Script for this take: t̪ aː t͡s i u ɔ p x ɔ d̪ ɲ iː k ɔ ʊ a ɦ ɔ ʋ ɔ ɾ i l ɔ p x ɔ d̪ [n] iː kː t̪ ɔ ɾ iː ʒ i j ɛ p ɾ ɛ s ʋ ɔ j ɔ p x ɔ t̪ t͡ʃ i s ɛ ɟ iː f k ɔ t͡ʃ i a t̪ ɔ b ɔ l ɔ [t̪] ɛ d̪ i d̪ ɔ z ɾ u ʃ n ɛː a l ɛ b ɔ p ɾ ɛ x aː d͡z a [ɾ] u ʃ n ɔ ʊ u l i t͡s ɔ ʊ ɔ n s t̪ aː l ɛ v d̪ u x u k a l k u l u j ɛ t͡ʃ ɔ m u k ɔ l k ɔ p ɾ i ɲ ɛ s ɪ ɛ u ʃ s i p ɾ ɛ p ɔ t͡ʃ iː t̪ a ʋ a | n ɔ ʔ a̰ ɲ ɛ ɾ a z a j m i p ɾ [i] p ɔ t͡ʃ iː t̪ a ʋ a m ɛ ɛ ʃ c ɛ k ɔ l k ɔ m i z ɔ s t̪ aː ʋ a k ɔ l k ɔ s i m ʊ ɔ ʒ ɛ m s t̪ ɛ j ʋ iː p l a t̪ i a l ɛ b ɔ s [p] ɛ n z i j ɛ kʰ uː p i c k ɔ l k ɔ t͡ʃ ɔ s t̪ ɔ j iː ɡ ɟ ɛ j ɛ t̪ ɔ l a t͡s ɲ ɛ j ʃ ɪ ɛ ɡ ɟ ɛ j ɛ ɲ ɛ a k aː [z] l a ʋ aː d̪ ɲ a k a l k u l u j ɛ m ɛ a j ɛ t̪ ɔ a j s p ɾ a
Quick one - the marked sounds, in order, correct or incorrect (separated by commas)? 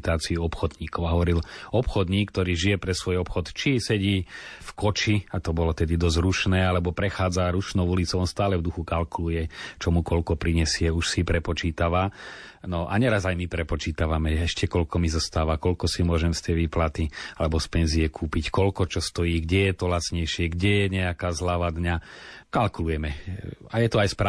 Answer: incorrect, correct, correct, incorrect, correct, correct